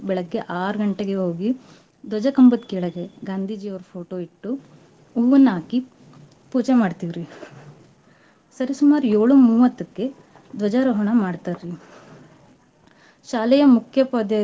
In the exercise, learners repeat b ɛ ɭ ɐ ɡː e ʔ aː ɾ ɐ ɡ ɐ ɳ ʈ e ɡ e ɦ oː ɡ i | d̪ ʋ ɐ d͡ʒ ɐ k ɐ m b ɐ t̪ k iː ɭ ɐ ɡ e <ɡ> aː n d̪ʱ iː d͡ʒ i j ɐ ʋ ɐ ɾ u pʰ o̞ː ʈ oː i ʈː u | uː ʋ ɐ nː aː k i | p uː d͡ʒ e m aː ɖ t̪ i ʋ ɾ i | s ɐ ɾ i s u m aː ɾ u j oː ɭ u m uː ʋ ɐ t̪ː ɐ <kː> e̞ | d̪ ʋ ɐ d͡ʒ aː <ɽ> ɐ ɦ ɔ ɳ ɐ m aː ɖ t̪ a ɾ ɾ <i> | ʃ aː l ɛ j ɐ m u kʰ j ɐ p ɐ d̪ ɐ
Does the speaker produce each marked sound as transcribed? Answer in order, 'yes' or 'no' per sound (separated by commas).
yes, yes, no, yes